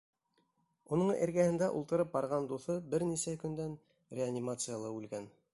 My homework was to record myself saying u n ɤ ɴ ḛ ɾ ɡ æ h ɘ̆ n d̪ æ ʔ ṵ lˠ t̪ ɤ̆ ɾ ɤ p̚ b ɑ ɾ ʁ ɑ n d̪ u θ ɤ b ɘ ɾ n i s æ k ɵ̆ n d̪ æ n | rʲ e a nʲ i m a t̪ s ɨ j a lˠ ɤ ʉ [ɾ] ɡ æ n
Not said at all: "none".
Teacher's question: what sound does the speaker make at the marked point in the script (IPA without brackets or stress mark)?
l